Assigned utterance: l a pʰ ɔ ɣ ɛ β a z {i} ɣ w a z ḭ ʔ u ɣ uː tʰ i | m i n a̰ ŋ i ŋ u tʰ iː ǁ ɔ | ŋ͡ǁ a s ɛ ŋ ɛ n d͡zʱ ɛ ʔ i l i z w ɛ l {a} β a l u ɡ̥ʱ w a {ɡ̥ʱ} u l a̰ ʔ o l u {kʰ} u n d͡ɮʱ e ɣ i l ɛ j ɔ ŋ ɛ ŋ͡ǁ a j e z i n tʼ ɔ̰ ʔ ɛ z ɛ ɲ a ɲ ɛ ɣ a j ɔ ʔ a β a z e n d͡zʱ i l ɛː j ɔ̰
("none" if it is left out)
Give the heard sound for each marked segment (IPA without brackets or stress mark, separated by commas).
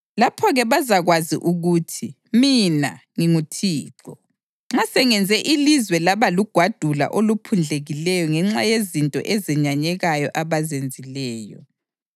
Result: a, a, d̥ʱ, pʰ